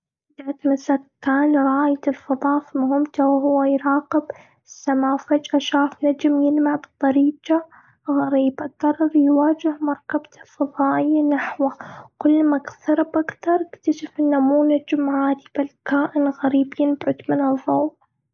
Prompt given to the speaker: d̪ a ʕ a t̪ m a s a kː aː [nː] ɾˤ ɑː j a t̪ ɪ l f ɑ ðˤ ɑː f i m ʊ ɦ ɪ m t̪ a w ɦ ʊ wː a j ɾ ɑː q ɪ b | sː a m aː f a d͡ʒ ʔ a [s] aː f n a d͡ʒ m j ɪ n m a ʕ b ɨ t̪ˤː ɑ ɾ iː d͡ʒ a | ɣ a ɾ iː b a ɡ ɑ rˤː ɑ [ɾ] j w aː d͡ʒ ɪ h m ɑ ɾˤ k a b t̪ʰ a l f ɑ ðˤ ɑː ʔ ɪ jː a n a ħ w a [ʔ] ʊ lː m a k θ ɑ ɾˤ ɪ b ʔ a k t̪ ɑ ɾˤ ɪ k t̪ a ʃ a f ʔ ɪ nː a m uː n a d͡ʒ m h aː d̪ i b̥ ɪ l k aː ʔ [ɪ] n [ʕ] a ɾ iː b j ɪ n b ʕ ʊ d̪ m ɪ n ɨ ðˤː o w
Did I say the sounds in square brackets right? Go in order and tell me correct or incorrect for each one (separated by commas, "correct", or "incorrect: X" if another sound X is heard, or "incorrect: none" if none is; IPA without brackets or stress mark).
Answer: incorrect: n, incorrect: ʃ, correct, incorrect: k, correct, incorrect: ɣ